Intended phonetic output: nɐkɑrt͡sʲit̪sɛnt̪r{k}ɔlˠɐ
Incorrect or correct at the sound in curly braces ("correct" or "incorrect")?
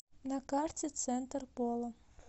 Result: incorrect